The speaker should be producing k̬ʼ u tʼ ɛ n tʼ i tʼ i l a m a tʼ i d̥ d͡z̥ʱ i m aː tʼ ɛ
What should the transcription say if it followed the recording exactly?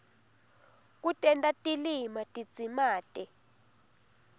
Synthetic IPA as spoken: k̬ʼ u tʼ ɛ n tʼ a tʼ i l i m a tʼ i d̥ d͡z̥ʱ i m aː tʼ ɛ